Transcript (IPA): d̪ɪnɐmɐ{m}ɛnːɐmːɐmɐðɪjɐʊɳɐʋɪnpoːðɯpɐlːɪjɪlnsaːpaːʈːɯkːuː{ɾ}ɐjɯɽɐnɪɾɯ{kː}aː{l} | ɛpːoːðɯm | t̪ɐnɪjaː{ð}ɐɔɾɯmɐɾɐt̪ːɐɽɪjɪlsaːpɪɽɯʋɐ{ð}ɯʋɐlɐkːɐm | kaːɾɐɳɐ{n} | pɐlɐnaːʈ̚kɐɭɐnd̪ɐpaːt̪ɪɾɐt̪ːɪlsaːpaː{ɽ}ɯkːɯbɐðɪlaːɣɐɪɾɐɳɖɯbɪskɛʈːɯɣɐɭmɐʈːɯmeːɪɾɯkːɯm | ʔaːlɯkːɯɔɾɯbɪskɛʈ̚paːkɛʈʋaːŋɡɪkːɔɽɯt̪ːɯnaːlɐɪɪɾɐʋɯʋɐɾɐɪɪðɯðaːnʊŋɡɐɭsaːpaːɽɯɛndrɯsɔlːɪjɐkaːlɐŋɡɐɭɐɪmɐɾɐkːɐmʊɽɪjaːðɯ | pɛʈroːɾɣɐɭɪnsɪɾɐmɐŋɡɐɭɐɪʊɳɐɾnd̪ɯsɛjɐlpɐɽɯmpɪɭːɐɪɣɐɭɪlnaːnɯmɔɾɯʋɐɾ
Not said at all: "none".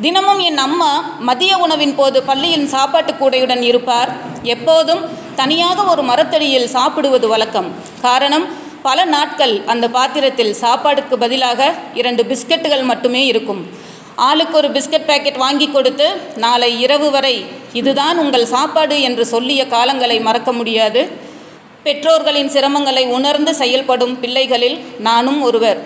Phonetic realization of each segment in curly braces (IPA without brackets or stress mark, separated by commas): m, ɽ, pː, ɾ, ɣ, ð, m, ɽ